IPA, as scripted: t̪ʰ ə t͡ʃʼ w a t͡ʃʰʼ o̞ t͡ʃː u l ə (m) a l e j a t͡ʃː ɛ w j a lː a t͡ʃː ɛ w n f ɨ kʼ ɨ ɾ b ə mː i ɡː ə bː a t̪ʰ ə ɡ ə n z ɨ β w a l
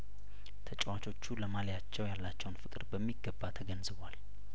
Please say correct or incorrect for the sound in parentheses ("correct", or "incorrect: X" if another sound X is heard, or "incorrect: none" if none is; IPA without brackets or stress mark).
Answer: correct